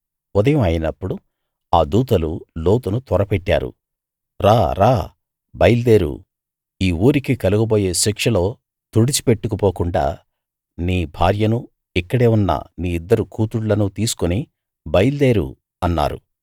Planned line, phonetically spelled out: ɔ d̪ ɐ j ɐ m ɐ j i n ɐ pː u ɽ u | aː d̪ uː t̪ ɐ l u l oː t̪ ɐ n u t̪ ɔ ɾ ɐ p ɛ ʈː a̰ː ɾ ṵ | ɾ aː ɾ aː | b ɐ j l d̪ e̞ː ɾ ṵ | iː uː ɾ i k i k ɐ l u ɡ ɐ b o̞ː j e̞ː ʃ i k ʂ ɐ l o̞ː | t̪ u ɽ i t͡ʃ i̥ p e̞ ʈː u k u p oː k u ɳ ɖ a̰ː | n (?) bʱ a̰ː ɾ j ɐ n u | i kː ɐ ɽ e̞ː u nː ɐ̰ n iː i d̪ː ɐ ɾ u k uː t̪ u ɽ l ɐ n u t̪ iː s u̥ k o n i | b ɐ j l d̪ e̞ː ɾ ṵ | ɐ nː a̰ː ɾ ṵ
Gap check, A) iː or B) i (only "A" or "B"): A